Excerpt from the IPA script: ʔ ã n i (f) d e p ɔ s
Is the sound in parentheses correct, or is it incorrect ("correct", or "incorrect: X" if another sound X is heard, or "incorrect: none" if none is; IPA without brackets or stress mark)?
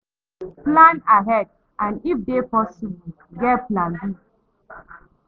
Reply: correct